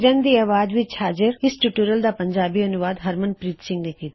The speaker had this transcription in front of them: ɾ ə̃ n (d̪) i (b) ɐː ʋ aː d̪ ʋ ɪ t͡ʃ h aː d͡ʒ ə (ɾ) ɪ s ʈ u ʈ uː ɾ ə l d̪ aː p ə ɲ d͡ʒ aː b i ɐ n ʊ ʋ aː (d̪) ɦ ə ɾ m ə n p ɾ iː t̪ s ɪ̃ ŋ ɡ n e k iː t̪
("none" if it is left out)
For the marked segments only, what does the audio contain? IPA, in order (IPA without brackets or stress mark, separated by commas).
d̪, none, ɾ, d̪